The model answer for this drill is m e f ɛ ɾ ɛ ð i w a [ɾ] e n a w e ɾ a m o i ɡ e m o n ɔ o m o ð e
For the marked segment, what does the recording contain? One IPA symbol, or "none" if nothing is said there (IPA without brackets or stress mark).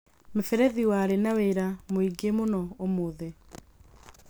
ɾ